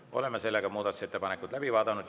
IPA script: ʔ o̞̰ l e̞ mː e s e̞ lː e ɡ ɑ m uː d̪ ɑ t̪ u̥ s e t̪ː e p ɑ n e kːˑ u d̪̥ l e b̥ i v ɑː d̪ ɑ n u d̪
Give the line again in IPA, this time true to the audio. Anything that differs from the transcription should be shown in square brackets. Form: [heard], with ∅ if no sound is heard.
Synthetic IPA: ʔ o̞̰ l e̞ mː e s e̞ lː e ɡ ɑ m uː d̪ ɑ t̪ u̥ s e t̪ː e p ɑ n e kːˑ u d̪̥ l [æ] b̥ i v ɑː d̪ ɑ n u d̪